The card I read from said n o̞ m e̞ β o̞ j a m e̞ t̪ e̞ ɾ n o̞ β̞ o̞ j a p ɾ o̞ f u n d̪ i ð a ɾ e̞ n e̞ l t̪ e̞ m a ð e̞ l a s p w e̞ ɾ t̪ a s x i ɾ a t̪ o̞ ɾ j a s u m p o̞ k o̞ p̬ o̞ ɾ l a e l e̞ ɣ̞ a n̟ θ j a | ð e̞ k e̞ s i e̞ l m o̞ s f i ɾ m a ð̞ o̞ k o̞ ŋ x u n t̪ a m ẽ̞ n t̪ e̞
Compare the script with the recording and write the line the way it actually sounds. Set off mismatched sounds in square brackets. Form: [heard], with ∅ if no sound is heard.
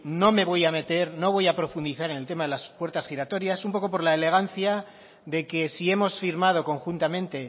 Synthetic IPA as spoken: n o̞ m e̞ β o̞ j a m e̞ t̪ e̞ ɾ n o̞ β̞ o̞ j a p ɾ o̞ f u n d̪ i [θ] a ɾ e̞ n e̞ l t̪ e̞ m a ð e̞ l a s p w e̞ ɾ t̪ a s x i ɾ a t̪ o̞ ɾ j a s u m p o̞ k o̞ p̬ o̞ ɾ l a e l e̞ ɣ̞ a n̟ θ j a | ð e̞ k e̞ s i e̞ [∅] m o̞ s f i ɾ m a ð̞ o̞ k o̞ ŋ x u n t̪ a m ẽ̞ n t̪ e̞